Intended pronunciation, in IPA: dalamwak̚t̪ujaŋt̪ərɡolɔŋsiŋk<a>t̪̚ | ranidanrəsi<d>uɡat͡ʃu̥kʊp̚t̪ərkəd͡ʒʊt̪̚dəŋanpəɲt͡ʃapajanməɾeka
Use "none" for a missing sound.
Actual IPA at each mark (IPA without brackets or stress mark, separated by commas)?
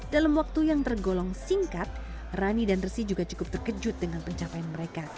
a, d͡ʒ